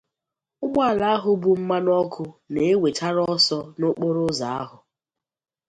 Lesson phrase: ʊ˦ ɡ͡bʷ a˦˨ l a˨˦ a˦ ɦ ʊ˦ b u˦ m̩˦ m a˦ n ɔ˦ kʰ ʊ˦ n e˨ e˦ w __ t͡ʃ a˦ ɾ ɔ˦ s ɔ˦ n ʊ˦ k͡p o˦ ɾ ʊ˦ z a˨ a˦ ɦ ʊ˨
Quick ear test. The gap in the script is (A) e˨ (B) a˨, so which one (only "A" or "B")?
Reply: A